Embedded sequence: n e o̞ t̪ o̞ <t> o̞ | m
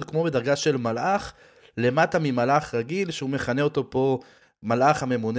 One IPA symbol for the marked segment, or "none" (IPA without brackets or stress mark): p